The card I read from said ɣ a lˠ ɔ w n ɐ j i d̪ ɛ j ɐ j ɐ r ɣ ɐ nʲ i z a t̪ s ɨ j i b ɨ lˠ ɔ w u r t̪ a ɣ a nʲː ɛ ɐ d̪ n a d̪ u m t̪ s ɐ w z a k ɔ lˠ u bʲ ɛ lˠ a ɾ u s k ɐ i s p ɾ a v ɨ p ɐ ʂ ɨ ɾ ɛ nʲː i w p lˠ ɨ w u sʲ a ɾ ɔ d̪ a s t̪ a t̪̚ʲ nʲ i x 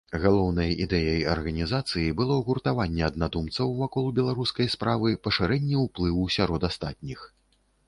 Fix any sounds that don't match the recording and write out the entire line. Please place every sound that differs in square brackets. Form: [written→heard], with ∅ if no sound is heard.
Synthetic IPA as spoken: ɣ a lˠ ɔ w n ɐ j i d̪ ɛ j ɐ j ɐ r ɣ ɐ nʲ i z a t̪ s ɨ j i b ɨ lˠ ɔ [w→ɣ] u r t̪ a [ɣ→v] a nʲː ɛ ɐ d̪ n a d̪ u m t̪ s ɐ w [z→v] a k ɔ lˠ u bʲ ɛ lˠ a ɾ u s k ɐ [i→j] s p ɾ a v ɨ p ɐ ʂ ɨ ɾ ɛ nʲː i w p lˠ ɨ w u sʲ a ɾ ɔ d̪ a s t̪ a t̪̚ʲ nʲ i x